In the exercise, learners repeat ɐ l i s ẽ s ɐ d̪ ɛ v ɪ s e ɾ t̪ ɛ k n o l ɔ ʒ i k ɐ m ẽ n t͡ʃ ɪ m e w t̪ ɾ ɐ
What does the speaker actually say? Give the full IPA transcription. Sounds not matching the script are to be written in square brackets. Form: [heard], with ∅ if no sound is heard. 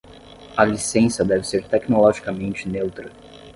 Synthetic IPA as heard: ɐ l i s ẽ s ɐ d̪ ɛ v ɪ s e ɾ t̪ ɛ k n o l ɔ ʒ i k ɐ m ẽ n t͡ʃ ɪ [n] e w t̪ ɾ ɐ